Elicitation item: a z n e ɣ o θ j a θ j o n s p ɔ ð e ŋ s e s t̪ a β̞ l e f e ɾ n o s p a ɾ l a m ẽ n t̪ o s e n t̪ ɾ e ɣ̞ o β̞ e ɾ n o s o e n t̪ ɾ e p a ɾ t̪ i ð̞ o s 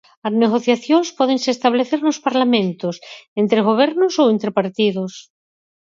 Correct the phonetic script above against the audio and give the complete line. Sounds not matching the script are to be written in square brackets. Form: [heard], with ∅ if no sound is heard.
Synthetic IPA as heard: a z n e ɣ o θ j a θ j o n s p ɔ ð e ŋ s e s t̪ a β̞ l e [θ] e ɾ n o s p a ɾ l a m ẽ n t̪ o s e n t̪ ɾ e ɣ̞ o β̞ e ɾ n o s o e n t̪ ɾ e p a ɾ t̪ i ð̞ o s

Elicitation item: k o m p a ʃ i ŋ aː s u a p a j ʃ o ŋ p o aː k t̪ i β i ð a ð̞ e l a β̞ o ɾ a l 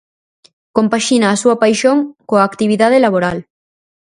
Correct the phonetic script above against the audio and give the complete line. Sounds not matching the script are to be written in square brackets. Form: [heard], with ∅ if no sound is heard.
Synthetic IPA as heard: k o m p a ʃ i [n] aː s u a p a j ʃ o ŋ [k] o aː k t̪ i β i ð a ð̞ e l a β̞ o ɾ a l

